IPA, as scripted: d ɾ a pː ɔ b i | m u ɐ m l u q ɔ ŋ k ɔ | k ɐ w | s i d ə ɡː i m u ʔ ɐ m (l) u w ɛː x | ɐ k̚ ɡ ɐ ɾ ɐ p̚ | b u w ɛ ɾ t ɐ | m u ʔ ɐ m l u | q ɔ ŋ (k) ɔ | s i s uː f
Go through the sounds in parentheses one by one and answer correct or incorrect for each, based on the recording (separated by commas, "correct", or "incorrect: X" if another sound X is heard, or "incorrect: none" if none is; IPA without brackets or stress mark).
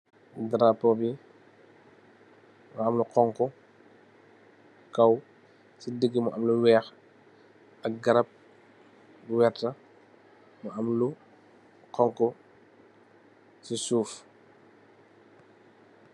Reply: correct, correct